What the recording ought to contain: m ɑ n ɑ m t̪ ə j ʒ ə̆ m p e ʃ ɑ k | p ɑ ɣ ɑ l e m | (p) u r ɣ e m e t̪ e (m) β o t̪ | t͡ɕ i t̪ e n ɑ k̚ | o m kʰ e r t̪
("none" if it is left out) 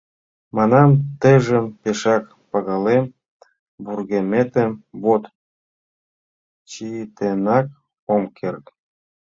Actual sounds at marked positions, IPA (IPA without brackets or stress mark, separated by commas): b, m